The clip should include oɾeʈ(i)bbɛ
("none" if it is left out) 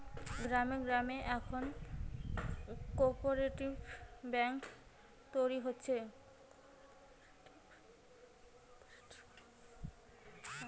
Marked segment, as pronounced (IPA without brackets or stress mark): i